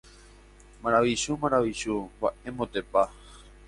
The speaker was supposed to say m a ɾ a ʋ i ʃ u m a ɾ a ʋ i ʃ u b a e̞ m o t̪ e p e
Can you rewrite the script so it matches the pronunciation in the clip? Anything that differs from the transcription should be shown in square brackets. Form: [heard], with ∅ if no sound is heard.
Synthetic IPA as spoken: m a ɾ a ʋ i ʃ u m a ɾ a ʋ i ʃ u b a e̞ m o t̪ e p [a]